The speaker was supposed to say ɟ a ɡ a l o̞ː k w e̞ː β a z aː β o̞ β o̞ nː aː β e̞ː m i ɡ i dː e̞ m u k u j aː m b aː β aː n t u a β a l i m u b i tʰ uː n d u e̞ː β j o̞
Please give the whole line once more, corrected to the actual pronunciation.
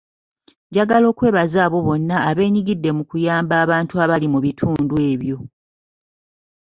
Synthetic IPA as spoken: ɟ a ɡ a l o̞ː k w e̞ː β a z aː β o̞ β o̞ nː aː β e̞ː ɲ i ɡ i dː e̞ m u k u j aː m b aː β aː n t u a β a l i m u β i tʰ uː n d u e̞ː β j o̞